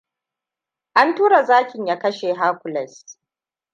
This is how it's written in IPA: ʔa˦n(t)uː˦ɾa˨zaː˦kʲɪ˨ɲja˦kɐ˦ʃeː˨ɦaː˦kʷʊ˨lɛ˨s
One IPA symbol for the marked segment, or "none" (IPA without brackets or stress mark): t